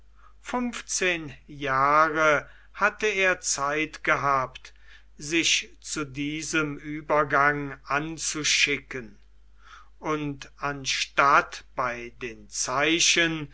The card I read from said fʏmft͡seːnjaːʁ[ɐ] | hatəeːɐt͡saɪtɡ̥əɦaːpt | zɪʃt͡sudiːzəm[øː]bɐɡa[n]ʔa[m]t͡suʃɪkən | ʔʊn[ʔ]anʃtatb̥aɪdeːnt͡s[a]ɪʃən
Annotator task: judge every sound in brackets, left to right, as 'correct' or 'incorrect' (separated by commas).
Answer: incorrect, incorrect, incorrect, incorrect, incorrect, correct